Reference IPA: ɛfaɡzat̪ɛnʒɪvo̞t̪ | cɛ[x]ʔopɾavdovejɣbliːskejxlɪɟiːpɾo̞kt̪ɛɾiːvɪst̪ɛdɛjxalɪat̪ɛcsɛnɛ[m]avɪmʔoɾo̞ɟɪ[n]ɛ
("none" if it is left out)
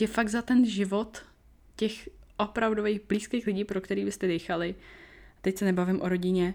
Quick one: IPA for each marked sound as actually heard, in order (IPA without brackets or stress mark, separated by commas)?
x, b, ɲ